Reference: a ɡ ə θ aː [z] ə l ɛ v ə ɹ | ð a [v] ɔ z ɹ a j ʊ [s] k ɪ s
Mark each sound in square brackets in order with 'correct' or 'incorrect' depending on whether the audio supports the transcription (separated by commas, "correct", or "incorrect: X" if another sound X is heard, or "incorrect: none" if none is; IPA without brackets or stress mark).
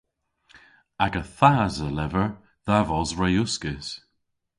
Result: correct, correct, correct